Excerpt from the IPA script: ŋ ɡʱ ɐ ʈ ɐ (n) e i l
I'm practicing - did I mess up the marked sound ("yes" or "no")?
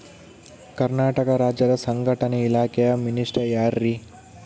no